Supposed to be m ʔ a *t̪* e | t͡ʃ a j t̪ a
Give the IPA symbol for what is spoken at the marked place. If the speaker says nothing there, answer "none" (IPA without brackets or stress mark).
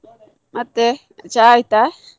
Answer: t̪